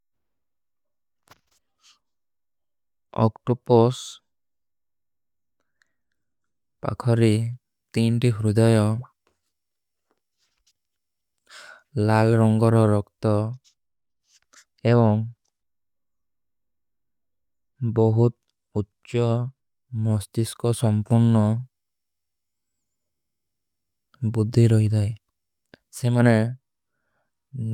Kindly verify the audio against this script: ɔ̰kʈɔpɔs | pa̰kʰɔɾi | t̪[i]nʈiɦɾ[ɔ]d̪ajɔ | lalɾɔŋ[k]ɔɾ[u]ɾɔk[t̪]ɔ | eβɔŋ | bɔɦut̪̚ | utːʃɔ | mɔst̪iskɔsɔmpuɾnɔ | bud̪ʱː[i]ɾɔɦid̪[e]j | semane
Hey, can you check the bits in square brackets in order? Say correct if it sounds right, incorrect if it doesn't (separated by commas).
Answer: correct, incorrect, incorrect, incorrect, correct, correct, incorrect